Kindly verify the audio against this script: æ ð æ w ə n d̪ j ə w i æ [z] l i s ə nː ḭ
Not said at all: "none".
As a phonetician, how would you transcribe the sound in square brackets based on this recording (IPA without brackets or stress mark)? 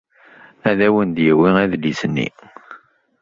ð